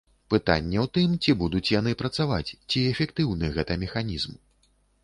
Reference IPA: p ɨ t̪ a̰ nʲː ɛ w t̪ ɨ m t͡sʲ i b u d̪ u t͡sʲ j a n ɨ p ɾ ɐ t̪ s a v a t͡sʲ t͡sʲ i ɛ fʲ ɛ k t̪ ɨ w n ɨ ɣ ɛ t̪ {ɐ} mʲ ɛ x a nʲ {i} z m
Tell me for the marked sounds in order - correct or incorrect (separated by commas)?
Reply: correct, correct